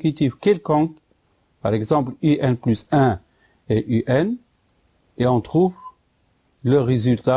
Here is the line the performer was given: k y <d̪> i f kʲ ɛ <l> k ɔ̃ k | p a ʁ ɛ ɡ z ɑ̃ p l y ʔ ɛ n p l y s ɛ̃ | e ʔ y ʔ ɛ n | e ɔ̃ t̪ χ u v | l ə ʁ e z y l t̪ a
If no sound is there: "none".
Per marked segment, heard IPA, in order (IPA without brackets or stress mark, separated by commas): t̪, l